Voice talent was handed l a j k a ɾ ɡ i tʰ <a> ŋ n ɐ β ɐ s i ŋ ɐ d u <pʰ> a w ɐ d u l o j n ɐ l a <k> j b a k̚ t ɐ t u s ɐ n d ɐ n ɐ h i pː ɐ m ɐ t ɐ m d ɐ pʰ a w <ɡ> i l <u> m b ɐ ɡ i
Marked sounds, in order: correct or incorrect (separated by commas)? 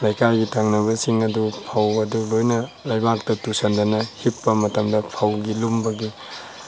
correct, correct, incorrect, correct, correct